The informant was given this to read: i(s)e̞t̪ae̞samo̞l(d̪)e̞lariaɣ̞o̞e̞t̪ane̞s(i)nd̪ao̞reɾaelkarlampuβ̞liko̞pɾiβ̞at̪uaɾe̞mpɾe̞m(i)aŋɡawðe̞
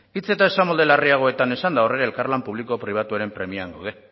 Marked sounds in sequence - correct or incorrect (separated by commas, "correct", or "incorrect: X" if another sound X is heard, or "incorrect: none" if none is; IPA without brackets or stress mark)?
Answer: incorrect: t͡s, correct, incorrect: a, correct